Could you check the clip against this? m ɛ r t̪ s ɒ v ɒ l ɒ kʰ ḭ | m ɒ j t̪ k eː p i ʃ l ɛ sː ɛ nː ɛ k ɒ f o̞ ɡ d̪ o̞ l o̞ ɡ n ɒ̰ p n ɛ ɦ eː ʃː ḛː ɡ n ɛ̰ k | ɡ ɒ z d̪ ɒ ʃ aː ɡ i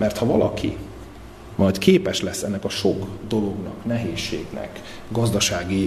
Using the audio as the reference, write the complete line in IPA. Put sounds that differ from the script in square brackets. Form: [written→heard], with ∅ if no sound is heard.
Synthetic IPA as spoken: m ɛ r t̪ [s→h] ɒ v ɒ l ɒ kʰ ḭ | m ɒ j t̪ k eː p [i→ɛ] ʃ l ɛ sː ɛ nː ɛ k ɒ [f→ʃ] o̞ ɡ d̪ o̞ l o̞ ɡ n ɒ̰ [p→k] n ɛ ɦ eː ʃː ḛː ɡ n ɛ̰ k | ɡ ɒ z d̪ ɒ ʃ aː ɡ i